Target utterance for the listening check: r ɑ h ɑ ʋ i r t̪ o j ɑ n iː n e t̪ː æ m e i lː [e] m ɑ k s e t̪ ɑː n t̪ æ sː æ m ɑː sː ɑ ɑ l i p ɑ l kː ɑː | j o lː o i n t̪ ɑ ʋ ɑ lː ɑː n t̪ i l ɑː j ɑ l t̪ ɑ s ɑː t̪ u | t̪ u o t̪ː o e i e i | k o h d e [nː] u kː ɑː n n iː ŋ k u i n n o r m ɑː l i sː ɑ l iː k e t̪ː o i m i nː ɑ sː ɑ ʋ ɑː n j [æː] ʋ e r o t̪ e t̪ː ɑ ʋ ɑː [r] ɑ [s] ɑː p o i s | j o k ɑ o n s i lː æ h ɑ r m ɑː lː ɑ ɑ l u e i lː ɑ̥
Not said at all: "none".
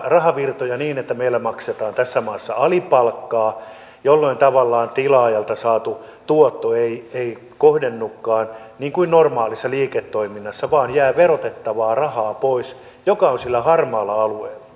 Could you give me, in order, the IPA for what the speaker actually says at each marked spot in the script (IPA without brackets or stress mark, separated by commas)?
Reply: æ, nː, æː, r, h